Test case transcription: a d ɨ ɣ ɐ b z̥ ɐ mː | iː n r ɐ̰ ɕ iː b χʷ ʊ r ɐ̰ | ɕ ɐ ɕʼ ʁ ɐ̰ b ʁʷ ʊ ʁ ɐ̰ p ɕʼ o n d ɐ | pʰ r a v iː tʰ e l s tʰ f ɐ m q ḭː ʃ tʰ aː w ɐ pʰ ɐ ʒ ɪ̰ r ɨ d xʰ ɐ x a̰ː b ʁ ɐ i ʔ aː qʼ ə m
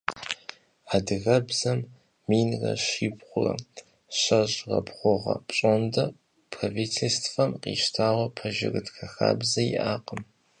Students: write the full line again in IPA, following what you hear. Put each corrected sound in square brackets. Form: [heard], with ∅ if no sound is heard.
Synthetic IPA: a d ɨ ɣ ɐ b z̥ ɐ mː | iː n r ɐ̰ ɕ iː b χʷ ʊ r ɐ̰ | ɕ ɐ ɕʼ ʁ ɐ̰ b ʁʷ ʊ ʁ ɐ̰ p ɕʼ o n d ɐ | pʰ r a v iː tʰ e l s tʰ f ɐ m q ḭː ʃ tʰ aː w ɐ pʰ ɐ ʒ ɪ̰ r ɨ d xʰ ɐ x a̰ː b [z] ɐ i ʔ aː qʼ ə m